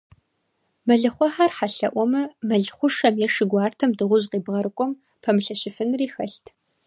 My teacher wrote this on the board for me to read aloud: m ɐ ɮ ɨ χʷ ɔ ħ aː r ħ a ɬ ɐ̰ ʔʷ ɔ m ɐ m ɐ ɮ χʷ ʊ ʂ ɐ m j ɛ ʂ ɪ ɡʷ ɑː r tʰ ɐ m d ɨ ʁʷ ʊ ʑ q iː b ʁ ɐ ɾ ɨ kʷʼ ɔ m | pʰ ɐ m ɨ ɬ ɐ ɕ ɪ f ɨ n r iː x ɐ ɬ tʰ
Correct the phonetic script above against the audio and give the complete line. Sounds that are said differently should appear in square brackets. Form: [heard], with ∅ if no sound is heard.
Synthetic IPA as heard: m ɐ ɮ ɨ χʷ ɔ ħ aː r ħ a ɬ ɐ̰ ʔʷ ɔ m ɐ m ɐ ɮ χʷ ʊ ʂ ɐ m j ɛ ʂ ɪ ɡʷ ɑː r tʰ ɐ m d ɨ ʁʷ ʊ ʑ q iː b ʁ ɐ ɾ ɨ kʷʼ ɔ m | pʰ ɐ m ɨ ɬ ɐ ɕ ɪ f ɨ n r iː x ɐ ɬ tʰ